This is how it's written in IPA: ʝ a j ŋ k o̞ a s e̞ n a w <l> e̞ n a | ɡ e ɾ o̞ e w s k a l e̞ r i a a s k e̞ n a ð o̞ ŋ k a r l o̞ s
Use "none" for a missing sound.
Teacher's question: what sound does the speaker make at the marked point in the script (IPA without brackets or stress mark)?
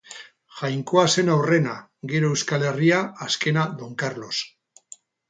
r